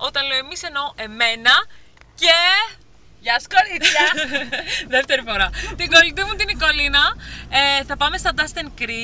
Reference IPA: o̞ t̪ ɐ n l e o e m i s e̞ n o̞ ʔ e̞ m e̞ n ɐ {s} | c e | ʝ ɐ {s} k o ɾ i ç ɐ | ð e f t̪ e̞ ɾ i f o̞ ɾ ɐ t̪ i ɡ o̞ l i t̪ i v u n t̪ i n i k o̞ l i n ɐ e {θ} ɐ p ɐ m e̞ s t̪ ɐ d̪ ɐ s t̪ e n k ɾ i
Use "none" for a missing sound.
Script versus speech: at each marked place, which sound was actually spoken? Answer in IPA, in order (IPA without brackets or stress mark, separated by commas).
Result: none, s, θ